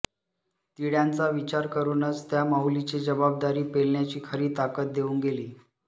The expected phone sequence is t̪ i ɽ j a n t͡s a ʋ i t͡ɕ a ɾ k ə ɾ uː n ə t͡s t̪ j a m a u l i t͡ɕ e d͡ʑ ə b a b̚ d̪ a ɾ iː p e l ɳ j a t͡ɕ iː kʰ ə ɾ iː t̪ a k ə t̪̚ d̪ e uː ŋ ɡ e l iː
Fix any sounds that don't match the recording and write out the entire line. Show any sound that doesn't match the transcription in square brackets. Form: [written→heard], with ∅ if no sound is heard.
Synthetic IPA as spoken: t̪ i ɽ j a n t͡s a ʋ i t͡ɕ a ɾ k ə ɾ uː n ə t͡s t̪ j a m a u l i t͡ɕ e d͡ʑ ə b a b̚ d̪ a ɾ iː p e l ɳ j a t͡ɕ iː kʰ ə ɾ iː t̪ a k ə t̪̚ d̪ e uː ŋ ɡ e l iː